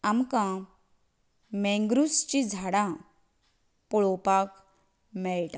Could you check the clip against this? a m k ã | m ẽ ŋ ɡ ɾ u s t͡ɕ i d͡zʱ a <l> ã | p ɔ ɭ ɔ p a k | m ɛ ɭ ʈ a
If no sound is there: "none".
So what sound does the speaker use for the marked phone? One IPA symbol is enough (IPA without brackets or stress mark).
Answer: ɽ